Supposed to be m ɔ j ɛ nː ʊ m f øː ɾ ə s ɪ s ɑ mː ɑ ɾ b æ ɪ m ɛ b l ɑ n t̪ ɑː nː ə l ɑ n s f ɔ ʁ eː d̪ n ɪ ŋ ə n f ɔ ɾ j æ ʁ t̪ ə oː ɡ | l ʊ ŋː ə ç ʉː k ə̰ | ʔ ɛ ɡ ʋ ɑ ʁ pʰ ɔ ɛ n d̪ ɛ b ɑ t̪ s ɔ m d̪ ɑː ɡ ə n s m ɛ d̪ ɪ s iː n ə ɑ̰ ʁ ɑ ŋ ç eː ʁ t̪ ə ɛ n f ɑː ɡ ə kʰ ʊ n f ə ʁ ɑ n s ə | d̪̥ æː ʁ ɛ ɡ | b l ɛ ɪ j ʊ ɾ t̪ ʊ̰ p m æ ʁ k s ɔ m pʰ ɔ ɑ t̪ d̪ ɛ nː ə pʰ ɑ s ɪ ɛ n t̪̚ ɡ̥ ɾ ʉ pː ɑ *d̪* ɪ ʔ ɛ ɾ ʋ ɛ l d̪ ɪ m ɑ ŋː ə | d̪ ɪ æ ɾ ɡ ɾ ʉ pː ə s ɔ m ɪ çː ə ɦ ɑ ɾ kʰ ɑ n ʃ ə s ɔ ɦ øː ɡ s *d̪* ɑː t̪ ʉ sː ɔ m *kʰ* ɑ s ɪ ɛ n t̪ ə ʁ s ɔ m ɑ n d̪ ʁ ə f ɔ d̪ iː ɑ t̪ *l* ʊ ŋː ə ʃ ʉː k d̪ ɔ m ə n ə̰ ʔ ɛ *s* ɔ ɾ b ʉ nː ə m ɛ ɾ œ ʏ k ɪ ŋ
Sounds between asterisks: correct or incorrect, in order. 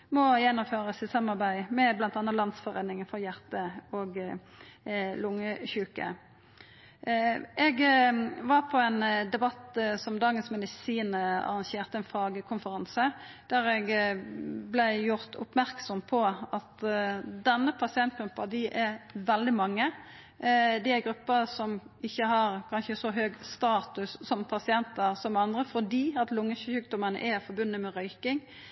correct, incorrect: t̪, incorrect: pʰ, correct, incorrect: f

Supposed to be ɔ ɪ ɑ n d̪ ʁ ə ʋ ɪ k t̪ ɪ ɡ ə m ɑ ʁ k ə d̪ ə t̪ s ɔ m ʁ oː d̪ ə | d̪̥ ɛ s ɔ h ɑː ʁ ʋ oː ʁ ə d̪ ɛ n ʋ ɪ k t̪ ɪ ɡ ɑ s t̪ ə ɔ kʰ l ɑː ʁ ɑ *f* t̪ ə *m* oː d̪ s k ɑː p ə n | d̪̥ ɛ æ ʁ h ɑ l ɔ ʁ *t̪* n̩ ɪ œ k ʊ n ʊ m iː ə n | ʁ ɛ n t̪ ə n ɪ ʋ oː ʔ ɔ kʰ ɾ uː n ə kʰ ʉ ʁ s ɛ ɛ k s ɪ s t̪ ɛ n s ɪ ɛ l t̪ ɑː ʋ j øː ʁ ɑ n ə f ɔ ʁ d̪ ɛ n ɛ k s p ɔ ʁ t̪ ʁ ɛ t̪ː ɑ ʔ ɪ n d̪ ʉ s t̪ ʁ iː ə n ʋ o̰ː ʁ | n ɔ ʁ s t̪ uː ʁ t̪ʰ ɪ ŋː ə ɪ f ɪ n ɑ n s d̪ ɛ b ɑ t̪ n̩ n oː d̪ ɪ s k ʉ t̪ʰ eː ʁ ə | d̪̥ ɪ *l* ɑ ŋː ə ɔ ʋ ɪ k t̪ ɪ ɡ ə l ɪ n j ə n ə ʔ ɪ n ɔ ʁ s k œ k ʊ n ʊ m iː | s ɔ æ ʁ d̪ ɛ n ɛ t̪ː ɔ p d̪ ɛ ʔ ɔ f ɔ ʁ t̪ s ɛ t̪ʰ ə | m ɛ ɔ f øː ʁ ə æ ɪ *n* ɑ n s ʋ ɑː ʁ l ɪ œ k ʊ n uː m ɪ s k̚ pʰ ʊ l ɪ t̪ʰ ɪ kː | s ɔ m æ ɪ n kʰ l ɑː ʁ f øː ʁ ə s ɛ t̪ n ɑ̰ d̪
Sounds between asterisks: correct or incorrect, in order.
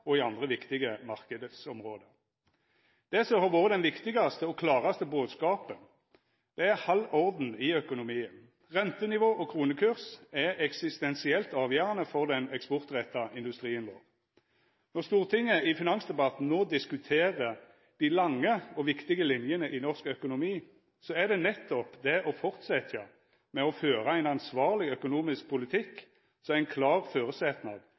incorrect: s, incorrect: b, incorrect: d̪, correct, correct

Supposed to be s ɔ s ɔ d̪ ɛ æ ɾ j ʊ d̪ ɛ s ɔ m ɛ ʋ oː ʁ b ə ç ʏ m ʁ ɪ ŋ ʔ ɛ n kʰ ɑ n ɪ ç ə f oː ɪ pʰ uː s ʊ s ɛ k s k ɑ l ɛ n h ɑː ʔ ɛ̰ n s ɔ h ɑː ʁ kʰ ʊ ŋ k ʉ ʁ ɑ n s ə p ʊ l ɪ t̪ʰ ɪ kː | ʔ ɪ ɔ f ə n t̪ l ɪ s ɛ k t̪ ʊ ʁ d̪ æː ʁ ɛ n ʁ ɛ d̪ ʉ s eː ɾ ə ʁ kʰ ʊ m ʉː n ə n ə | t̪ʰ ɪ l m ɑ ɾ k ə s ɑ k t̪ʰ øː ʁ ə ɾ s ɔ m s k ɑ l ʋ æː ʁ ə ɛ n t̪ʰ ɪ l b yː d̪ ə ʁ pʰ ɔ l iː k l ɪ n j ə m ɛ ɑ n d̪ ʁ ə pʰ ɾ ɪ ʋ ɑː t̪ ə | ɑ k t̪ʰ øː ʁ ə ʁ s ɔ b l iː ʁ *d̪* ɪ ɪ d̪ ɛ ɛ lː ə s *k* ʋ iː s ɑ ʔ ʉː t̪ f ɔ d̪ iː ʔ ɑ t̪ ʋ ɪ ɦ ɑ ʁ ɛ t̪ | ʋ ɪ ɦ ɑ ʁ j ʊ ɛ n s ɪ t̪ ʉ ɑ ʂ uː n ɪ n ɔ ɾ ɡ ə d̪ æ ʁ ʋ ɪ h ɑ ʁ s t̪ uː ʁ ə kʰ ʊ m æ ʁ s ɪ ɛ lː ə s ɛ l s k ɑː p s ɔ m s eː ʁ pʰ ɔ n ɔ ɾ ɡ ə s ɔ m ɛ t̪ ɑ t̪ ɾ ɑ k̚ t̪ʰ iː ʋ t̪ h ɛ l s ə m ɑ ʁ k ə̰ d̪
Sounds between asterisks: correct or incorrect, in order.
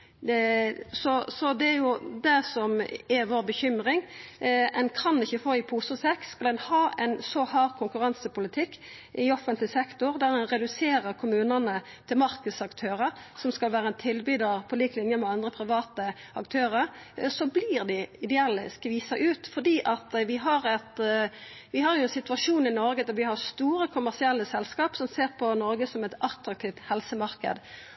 correct, correct

